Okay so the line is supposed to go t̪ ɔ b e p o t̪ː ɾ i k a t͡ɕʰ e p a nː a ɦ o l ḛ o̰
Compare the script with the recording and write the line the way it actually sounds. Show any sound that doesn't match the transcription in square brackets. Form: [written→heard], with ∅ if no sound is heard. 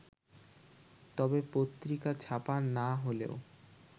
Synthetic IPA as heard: t̪ ɔ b e p o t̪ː ɾ i k a t͡ɕʰ [e→a] p a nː a ɦ o l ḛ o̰